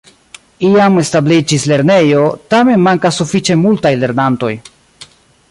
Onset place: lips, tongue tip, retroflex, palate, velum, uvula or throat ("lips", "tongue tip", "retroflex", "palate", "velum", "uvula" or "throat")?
lips